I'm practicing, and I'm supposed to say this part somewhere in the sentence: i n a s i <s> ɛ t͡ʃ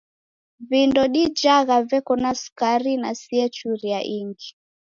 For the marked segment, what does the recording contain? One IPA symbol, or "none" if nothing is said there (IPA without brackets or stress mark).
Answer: none